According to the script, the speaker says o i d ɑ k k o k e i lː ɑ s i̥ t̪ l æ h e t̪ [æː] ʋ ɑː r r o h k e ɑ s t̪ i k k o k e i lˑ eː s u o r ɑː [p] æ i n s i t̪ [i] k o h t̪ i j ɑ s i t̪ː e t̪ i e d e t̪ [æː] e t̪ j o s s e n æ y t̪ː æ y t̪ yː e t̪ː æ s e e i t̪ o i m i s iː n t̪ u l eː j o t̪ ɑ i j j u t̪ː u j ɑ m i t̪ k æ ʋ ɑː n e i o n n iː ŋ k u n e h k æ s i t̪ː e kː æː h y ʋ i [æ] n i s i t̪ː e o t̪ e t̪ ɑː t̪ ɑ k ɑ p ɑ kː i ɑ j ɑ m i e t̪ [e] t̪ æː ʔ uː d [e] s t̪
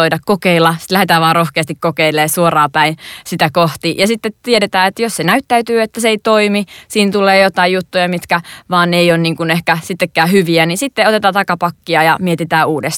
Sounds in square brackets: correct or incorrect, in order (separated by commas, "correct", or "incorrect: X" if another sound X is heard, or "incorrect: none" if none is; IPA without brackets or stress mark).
correct, correct, incorrect: æ, correct, correct, incorrect: i, correct